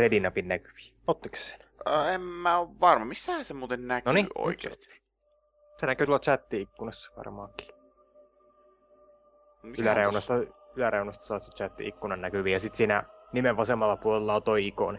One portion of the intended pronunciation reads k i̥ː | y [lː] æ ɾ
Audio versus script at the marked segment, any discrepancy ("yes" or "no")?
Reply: yes